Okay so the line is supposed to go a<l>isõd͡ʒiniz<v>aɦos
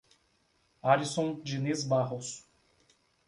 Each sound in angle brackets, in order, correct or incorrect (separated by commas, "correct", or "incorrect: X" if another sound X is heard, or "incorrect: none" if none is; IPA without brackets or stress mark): incorrect: ɾ, incorrect: b